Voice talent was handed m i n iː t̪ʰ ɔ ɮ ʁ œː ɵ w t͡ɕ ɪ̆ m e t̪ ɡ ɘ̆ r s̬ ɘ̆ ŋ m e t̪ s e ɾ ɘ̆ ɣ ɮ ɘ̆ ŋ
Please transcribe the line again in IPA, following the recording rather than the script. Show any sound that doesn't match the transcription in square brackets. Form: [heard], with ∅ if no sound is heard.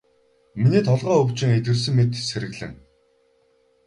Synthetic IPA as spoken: m i n iː t̪ʰ ɔ ɮ ʁ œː ɵ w t͡ɕ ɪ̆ [ŋ] e t̪ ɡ ɘ̆ r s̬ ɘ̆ ŋ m e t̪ s e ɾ ɘ̆ ɣ ɮ ɘ̆ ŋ

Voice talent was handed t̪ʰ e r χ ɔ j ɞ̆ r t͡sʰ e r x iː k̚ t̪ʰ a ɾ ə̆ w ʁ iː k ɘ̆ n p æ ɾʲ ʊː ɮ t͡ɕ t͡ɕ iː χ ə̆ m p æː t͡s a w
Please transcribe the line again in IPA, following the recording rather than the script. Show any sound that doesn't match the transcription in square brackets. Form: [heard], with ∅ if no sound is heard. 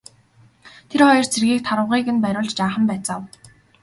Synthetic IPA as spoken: t̪ʰ e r χ ɔ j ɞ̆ r t͡sʰ e r [ɣ] iː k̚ t̪ʰ a ɾ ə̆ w ʁ iː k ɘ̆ n p æ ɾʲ ʊː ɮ t͡ɕ t͡ɕ [aː] χ ə̆ m p æː t͡s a w

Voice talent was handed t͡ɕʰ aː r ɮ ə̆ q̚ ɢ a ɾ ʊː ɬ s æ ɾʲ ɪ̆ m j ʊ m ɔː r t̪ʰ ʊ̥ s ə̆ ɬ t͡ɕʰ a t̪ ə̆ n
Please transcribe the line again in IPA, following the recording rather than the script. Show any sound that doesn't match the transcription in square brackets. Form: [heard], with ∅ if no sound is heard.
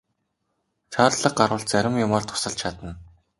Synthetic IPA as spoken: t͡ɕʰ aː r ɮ ə̆ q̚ ɢ a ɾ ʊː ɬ [t͡s] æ ɾʲ ɪ̆ m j ʊ m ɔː r t̪ʰ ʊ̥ s ə̆ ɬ t͡ɕʰ a t̪ ə̆ n

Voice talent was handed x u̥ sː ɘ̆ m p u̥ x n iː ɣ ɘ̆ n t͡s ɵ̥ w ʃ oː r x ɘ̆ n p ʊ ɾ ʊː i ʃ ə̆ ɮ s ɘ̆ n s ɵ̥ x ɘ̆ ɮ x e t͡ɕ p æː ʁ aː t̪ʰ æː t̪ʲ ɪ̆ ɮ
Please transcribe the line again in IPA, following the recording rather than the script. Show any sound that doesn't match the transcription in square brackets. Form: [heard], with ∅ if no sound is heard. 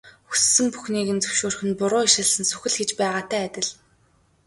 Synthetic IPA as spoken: x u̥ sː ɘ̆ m p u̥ x n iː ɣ ɘ̆ n t͡s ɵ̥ w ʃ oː r x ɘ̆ n p ʊ ɾ ʊː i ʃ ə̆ ɮ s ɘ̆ n s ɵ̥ x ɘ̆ ɮ x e t͡ɕ p æː ʁ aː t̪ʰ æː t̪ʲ ɪ̆ ɮ

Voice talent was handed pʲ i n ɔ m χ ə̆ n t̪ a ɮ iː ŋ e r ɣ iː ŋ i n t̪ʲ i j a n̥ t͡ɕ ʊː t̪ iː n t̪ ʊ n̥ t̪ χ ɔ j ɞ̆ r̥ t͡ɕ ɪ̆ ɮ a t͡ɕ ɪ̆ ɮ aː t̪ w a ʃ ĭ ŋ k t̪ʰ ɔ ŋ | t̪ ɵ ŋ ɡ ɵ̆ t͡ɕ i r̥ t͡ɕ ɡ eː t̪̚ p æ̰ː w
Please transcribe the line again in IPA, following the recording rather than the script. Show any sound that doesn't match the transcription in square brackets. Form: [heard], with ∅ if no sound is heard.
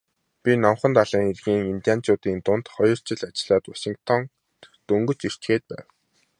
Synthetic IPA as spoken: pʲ i n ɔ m χ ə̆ n t̪ a ɮ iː ŋ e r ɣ iː ŋ i n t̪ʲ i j a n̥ t͡ɕ ʊː t̪ iː n t̪ ʊ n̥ t̪ χ ɔ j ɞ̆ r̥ t͡ɕ ɪ̆ ɮ a t͡ɕ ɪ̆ ɮ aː t̪ w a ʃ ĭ ŋ k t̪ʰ ɔ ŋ | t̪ ɵ ŋ ɡ ɵ̆ t͡ɕ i r̥ t͡ɕ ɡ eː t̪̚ p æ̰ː w

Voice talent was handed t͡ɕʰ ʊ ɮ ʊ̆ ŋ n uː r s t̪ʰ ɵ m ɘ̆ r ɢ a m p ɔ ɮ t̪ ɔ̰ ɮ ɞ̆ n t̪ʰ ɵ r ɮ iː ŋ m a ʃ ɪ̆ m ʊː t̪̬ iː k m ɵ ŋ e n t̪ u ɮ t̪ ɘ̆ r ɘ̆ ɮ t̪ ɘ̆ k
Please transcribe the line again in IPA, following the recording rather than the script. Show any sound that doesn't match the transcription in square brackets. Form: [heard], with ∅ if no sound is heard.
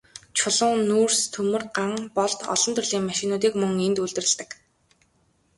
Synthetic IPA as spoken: t͡ɕʰ ʊ ɮ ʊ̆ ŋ n uː r s t̪ʰ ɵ m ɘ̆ r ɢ a [ŋ] p ɔ ɮ t̪ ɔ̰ ɮ ɞ̆ n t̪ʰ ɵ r ɮ iː ŋ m a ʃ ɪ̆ [n] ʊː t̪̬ iː k m ɵ ŋ e n t̪ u ɮ t̪ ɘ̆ r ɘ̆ ɮ t̪ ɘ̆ k

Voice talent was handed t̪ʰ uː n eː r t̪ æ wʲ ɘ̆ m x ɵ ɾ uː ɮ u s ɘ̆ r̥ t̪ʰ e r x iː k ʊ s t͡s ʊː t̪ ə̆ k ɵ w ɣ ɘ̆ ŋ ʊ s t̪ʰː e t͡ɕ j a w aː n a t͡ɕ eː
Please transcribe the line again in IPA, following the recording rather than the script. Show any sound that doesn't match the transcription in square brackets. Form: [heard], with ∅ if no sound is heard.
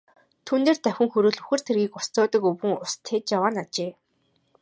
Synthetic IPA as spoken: t̪ʰ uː n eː r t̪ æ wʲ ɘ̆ [ŋ] x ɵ ɾ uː ɮ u [x] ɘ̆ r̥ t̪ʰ e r [ɣ] iː k ʊ s t͡s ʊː t̪ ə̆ k ɵ w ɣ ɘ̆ ŋ ʊ s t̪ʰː e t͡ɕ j a w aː n a t͡ɕ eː

